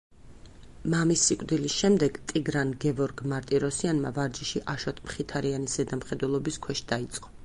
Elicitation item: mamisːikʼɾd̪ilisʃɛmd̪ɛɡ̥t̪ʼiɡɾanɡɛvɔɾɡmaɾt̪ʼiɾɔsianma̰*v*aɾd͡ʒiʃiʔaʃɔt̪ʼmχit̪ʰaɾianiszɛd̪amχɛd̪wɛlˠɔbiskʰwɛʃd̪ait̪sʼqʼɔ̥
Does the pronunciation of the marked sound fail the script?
no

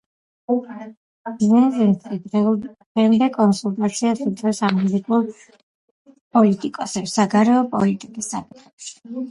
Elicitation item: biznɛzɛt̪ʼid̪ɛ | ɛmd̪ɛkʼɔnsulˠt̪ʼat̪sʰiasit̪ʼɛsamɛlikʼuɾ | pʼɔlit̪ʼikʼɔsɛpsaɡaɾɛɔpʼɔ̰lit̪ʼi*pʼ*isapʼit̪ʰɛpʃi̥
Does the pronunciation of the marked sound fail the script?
yes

